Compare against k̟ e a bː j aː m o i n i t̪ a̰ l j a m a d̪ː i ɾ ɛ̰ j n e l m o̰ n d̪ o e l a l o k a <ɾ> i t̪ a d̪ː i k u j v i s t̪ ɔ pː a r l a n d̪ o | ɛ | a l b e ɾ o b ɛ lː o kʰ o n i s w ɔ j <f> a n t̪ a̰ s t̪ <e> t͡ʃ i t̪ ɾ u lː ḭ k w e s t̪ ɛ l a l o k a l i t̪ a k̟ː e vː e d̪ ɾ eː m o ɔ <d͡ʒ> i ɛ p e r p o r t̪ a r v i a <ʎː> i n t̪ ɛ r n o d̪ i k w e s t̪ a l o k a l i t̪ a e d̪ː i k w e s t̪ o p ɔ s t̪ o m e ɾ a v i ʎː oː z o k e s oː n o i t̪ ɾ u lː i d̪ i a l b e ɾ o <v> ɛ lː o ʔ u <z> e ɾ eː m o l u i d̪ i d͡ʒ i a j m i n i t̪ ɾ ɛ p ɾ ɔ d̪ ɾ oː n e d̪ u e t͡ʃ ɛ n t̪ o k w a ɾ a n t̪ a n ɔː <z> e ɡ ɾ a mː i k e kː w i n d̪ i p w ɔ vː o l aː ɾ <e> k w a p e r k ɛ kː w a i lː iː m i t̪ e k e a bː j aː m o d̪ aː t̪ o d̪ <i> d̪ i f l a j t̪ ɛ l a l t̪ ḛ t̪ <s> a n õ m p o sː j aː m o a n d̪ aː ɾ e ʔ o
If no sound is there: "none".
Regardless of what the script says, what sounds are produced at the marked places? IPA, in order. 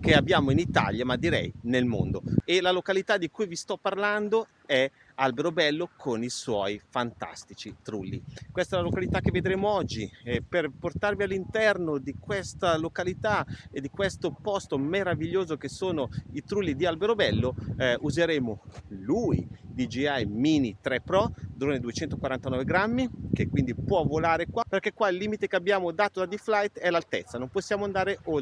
l, f, i, d͡ʒː, lː, b, z, v, e, a, sː

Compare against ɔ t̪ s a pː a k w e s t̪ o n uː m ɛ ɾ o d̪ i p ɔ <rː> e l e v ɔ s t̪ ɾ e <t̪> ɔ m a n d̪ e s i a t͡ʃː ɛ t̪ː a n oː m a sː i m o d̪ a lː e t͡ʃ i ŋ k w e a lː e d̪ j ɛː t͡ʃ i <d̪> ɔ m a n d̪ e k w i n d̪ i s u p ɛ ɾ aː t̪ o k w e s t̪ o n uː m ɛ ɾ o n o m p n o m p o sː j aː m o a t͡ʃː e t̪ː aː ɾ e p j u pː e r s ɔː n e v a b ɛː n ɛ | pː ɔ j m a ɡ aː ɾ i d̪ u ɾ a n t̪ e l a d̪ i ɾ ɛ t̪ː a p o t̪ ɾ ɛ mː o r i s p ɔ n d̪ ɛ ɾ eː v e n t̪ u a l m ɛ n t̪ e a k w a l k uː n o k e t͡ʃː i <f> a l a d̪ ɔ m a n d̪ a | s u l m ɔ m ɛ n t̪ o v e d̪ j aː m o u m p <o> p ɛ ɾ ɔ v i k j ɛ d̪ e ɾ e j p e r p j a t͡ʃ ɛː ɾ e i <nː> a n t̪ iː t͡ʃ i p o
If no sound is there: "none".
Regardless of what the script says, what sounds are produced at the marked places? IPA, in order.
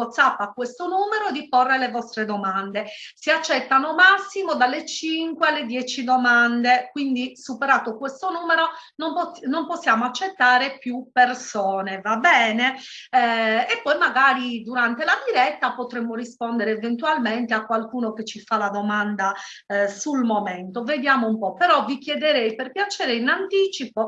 rː, d̪, d̪, f, ɔ, n

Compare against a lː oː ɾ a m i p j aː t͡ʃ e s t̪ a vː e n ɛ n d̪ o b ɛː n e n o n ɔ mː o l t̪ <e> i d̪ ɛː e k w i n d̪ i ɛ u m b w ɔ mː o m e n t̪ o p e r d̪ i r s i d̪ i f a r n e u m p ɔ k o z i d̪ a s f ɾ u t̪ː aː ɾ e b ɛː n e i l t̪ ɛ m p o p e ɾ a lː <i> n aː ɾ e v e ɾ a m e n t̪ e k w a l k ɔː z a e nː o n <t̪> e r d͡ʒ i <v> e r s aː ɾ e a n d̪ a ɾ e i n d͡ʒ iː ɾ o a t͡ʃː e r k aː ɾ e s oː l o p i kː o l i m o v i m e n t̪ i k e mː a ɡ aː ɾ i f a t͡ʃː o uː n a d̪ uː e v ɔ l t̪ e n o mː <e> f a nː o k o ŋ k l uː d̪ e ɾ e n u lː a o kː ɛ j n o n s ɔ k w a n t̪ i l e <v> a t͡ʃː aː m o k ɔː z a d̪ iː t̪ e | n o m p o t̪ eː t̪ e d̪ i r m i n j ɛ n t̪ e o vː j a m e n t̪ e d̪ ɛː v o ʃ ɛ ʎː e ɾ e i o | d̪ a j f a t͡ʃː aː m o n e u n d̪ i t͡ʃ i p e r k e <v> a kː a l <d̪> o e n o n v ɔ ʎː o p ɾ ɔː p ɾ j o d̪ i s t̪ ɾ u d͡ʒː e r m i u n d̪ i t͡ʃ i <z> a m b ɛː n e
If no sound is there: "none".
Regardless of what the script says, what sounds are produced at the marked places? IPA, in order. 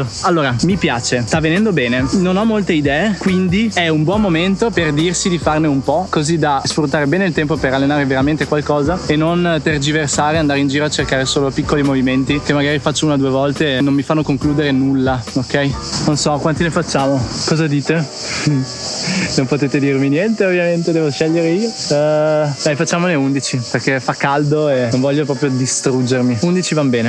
e, e, t̪, v, i, f, f, d̪, v

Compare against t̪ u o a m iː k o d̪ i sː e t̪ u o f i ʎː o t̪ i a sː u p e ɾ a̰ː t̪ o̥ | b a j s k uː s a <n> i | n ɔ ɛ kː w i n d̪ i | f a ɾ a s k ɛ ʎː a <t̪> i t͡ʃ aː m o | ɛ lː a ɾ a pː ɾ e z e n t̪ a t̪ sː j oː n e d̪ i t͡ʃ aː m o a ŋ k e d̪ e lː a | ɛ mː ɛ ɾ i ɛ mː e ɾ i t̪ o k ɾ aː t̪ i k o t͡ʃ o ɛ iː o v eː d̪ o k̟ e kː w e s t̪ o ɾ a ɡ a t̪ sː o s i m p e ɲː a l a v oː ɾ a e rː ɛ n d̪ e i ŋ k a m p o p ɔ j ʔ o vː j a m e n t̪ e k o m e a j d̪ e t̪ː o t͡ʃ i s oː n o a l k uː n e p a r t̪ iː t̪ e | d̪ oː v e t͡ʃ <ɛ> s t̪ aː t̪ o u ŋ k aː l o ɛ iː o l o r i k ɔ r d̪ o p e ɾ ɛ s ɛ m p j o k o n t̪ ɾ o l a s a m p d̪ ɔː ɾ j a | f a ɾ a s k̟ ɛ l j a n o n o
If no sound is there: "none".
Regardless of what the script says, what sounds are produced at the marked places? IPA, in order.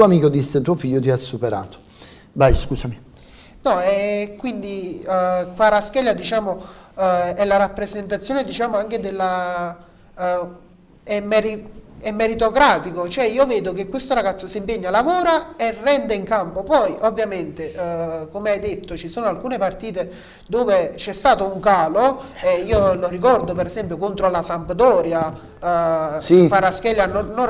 m, d̪, ɛ

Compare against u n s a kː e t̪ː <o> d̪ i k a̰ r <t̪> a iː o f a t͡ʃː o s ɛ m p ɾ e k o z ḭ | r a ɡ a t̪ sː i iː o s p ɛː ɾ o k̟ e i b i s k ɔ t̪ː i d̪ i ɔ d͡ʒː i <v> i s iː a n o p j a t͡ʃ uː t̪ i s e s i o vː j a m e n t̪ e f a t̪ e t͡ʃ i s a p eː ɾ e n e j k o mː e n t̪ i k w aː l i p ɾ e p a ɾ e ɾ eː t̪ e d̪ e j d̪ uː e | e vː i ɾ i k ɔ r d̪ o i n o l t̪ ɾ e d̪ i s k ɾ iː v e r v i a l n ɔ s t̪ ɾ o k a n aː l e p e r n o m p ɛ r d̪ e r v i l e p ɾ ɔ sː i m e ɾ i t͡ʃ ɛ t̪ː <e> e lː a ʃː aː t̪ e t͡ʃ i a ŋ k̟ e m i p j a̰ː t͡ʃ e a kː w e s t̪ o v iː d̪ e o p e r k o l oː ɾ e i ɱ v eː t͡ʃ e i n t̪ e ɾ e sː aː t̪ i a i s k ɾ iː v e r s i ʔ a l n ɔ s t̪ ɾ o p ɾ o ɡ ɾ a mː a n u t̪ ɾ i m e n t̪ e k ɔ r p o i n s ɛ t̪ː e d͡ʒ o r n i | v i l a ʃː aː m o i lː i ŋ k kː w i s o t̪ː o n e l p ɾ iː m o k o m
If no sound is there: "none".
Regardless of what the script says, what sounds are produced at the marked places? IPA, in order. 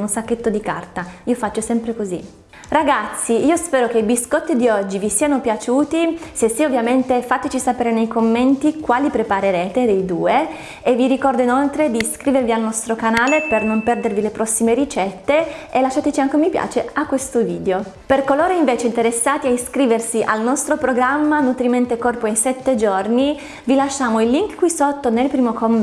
o, t̪, v, e

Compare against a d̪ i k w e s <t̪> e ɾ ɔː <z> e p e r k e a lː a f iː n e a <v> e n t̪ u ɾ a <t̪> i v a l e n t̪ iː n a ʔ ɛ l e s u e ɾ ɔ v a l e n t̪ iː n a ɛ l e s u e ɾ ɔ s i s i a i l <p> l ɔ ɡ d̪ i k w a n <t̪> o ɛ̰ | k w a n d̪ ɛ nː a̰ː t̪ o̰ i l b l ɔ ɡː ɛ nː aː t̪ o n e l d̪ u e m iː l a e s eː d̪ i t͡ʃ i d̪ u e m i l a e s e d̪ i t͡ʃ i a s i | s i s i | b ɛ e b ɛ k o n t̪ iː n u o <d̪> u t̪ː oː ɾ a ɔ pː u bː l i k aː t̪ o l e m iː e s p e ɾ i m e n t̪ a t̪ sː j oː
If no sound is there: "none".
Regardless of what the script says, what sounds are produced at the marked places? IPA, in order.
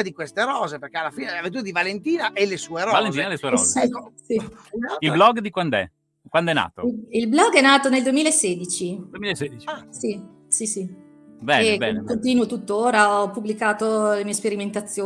t̪, z, v, d̪, b, d̪, t̪

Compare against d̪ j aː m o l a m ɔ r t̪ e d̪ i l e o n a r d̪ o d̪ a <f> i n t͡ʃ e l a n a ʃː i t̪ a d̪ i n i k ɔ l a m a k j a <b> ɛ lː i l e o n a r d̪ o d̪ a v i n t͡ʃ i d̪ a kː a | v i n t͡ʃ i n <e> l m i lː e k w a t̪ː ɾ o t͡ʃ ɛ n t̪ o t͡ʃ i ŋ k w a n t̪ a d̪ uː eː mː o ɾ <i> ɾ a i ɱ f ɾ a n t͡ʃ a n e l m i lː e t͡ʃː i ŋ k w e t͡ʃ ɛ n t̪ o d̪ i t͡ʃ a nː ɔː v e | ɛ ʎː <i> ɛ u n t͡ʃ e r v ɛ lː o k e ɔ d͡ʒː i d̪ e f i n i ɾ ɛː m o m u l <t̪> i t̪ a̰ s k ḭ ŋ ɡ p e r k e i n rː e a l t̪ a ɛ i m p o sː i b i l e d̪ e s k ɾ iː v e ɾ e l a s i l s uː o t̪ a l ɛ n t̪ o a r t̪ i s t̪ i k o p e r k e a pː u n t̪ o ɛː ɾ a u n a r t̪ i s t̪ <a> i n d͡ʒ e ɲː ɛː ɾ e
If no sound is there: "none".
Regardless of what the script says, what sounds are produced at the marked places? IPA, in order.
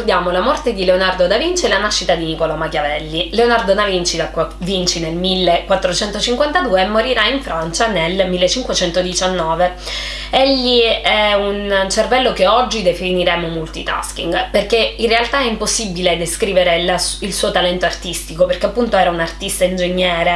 v, v, e, i, i, t̪, a

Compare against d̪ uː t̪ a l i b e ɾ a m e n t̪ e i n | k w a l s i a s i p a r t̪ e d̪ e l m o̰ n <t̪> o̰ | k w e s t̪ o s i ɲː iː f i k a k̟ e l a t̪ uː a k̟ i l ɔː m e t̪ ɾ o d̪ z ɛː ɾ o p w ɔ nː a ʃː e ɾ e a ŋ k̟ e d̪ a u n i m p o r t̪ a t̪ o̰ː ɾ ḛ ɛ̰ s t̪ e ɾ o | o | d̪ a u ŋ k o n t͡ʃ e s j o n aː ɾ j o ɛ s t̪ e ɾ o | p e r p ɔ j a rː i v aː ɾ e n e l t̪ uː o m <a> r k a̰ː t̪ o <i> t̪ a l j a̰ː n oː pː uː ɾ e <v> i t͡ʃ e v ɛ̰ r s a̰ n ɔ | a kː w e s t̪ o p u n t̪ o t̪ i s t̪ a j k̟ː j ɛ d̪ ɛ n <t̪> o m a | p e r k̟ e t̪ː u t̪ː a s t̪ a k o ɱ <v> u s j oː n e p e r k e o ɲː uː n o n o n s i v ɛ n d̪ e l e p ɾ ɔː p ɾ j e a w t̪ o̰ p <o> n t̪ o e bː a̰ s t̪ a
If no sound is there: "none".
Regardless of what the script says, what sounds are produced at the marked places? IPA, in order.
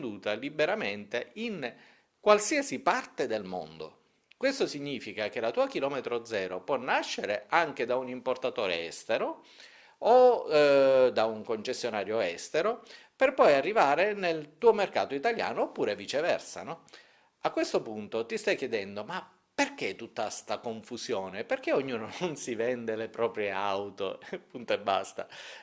d̪, e, i, v, d̪, f, u

